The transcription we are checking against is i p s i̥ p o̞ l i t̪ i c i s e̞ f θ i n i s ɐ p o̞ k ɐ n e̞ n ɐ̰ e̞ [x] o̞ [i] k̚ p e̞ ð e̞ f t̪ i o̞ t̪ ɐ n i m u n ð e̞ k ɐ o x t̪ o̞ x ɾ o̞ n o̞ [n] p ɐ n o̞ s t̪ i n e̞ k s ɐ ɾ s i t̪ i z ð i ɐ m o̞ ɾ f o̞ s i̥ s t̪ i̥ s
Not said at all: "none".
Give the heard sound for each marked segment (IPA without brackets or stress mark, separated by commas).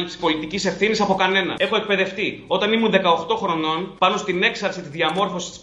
x, e, n